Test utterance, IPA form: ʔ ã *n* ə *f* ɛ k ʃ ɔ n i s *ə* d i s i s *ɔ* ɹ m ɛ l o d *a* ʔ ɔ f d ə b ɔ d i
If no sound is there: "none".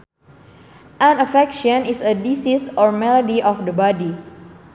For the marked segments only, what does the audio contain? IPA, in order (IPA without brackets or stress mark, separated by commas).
n, f, ə, ɔ, i